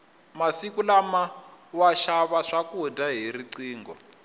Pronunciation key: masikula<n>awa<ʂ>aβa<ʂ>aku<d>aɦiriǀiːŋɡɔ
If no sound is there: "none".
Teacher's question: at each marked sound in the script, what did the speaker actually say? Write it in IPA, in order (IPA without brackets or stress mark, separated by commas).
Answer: m, ʃ, ʂ, d